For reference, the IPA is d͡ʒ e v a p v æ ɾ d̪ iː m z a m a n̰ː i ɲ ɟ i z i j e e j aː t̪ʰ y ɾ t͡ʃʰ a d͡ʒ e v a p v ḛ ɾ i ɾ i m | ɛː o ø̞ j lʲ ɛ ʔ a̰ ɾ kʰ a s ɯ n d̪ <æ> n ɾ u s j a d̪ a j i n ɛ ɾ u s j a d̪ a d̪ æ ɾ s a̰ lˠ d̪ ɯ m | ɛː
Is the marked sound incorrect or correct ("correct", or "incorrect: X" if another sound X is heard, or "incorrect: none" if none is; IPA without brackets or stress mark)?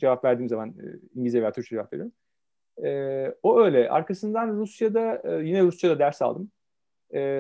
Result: incorrect: a